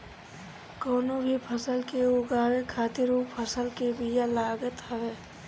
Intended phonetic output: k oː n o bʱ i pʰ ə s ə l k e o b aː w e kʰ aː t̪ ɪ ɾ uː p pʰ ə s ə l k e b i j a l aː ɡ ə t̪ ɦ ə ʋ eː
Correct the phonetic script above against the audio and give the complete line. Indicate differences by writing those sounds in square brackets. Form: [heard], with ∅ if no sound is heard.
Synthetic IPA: k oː n o bʱ i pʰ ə s ə l k e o [ɡ] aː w e kʰ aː t̪ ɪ ɾ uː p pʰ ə s ə l k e b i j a l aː ɡ ə t̪ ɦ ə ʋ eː